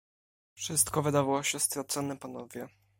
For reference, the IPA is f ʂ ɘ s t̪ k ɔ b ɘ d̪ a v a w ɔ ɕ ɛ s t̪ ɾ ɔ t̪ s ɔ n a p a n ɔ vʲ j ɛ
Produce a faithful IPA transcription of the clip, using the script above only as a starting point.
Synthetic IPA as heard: f ʂ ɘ s t̪ k ɔ v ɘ d̪ a v a w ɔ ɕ ɛ s t̪ ɾ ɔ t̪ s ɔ n ɛ p a n ɔ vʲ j ɛ